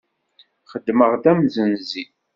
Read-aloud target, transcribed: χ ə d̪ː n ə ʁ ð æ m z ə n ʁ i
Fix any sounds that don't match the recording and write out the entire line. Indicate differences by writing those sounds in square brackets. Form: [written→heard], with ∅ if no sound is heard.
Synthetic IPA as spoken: χ ə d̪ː [n→m] ə ʁ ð æ m z ə n [ʁ→z] i